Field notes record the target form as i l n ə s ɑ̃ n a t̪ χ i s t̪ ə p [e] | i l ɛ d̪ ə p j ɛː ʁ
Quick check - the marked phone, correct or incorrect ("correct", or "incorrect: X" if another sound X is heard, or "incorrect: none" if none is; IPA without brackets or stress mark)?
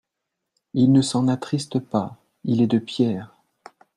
incorrect: a